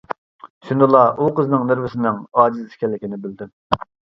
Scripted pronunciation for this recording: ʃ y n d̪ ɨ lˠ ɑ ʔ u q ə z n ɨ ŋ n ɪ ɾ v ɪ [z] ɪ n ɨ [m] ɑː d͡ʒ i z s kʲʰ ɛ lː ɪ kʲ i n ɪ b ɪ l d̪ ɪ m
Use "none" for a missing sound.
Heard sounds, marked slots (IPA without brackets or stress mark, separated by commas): s, ŋ